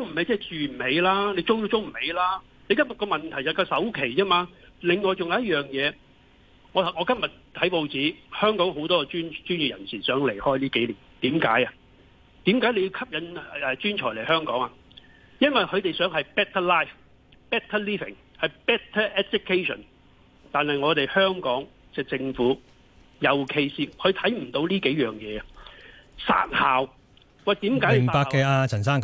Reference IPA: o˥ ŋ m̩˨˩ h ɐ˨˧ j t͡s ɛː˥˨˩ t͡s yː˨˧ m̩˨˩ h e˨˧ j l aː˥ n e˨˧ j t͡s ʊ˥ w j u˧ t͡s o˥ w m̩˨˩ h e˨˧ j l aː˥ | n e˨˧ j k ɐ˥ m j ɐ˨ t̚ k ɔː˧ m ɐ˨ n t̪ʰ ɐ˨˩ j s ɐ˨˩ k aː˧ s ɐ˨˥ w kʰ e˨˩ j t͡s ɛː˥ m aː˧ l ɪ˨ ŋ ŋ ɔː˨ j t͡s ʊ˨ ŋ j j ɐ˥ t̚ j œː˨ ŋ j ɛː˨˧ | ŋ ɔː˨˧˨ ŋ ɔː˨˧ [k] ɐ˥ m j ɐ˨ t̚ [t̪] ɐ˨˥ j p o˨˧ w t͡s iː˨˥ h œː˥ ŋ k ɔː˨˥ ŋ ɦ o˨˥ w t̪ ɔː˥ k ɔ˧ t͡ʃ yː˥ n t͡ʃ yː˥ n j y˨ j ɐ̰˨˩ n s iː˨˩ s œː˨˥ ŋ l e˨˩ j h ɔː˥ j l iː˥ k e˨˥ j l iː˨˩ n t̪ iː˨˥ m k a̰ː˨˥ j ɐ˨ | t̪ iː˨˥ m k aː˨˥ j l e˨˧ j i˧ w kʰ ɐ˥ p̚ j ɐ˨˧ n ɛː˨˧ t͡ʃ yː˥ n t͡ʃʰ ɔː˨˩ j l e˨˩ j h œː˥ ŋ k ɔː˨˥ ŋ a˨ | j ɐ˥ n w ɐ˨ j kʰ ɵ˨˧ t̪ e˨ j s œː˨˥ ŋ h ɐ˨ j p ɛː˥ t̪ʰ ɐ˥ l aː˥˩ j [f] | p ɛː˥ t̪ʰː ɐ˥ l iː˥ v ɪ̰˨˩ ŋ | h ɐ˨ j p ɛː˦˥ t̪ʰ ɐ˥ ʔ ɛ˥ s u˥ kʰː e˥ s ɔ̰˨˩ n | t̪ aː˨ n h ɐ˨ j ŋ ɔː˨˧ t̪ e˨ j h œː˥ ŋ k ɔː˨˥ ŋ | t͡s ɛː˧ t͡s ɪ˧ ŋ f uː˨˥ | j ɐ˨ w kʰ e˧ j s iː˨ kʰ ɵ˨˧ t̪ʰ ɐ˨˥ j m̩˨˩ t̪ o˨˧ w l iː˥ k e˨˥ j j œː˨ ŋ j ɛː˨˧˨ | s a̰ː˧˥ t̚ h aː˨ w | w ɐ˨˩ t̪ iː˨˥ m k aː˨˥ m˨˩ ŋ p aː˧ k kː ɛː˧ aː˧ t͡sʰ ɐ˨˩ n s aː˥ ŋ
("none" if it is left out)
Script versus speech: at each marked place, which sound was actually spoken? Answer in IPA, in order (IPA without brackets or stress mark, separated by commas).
k, t̪ʰ, f